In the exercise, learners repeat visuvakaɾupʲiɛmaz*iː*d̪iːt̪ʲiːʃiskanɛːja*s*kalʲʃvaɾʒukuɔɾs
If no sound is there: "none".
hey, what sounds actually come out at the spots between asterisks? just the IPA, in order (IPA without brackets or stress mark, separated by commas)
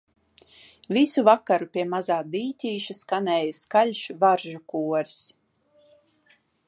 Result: aː, s